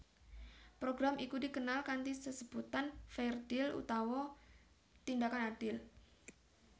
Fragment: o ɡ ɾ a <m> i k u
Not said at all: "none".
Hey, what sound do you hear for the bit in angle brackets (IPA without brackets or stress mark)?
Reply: m